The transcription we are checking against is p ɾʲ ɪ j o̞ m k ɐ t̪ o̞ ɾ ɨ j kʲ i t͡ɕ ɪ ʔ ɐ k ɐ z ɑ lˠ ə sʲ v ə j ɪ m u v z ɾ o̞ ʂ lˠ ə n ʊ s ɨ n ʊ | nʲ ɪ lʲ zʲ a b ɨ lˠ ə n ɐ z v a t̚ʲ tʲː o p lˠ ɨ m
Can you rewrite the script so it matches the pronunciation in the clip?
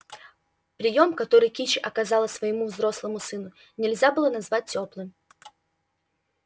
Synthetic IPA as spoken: p ɾʲ ɪ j o̞ m k ɐ t̪ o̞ ɾ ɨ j kʲ i t͡ɕ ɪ ʔ ɐ k ɐ z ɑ lˠ ə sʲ v ə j ɪ m u v z ɾ o̞ s lˠ ə m ʊ s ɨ n ʊ | nʲ ɪ lʲ zʲ a b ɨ lˠ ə n ɐ z v a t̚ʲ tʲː o p lˠ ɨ m